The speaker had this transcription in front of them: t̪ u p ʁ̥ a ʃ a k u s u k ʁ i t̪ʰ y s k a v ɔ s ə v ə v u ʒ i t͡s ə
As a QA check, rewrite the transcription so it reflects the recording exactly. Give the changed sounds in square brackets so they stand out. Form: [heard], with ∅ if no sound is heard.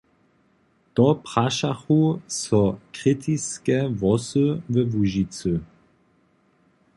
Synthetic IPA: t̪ [ɔ] p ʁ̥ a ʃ a [x] u s [ɔ] k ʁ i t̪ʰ [i] s k [ɛ] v ɔ s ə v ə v u ʒ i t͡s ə